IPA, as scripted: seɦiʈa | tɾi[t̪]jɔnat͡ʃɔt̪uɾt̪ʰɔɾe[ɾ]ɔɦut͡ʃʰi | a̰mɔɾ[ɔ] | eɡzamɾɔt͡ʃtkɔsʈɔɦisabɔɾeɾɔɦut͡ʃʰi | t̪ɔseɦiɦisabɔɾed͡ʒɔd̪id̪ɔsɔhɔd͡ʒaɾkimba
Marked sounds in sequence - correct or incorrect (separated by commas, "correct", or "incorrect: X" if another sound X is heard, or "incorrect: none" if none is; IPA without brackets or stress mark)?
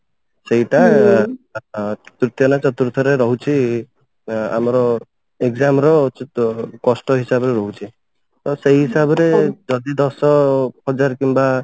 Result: correct, correct, correct